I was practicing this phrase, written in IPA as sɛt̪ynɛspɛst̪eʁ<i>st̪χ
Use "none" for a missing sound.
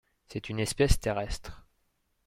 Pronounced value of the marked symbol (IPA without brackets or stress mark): ɛ